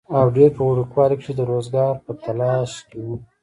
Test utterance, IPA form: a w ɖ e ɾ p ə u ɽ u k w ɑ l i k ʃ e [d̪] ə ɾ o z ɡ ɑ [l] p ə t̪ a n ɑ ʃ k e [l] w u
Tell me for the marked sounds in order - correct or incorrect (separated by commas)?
correct, incorrect, incorrect